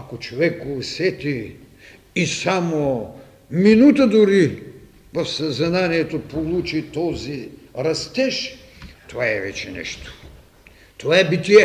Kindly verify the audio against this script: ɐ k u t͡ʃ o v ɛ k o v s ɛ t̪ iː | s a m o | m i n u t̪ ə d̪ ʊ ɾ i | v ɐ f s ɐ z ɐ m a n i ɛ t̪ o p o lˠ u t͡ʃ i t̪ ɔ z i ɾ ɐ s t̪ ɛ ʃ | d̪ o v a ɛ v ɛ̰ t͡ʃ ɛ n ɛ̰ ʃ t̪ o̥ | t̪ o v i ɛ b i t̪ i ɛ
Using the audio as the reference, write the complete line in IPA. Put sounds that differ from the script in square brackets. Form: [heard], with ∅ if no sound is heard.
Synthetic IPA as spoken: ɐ k [o] t͡ʃ o v ɛ k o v s ɛ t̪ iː | s a m o | m i n u t̪ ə d̪ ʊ ɾ i | v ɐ f s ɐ z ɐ [n] a n i ɛ t̪ o p o lˠ u t͡ʃ i t̪ ɔ z i ɾ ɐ s t̪ ɛ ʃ | [t̪] o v a ɛ v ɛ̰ t͡ʃ ɛ n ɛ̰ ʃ t̪ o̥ | t̪ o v [a] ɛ b i t̪ i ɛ